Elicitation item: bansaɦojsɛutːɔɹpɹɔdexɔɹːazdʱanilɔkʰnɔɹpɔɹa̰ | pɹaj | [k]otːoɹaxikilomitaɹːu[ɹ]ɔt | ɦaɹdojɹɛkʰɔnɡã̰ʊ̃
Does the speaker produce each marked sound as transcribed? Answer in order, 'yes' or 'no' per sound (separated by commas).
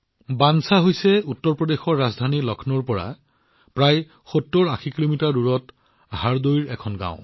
no, yes